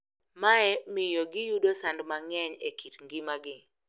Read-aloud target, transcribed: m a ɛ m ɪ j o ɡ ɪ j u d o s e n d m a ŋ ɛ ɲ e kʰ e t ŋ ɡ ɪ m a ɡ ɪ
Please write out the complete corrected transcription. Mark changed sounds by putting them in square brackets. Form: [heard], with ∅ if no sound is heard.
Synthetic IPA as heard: m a ɛ m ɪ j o ɡ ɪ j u d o s [a] n d m a ŋ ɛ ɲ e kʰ [i] t ŋ ɡ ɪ m a ɡ ɪ